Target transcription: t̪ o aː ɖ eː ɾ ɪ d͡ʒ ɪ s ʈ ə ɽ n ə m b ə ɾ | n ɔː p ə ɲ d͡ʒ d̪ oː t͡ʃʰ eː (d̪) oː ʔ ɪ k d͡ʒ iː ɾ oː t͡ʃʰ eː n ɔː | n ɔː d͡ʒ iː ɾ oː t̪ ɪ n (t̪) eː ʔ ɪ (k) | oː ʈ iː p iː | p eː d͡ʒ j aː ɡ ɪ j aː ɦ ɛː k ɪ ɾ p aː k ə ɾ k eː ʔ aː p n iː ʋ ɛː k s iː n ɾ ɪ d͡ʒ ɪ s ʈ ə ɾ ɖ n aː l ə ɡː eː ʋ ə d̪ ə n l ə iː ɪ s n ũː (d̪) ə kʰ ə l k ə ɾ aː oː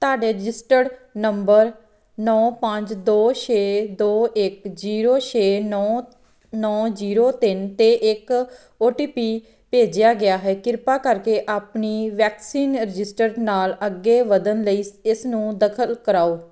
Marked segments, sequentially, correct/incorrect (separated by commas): correct, correct, correct, correct